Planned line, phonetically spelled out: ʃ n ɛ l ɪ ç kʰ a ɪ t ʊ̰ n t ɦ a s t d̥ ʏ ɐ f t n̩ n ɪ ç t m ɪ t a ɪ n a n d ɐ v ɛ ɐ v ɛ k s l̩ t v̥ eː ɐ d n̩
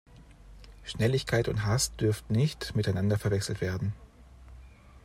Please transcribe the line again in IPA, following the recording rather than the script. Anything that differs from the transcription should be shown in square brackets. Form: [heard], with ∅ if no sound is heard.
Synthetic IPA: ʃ n ɛ l ɪ ç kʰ a ɪ t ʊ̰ n t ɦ a s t d̥ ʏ ɐ f t n̩ n ɪ ç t m ɪ t a ɪ n a n d ɐ [f] ɛ ɐ v ɛ k s l̩ t v̥ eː ɐ d n̩